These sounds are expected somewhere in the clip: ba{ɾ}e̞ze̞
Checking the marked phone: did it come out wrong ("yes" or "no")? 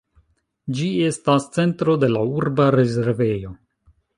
no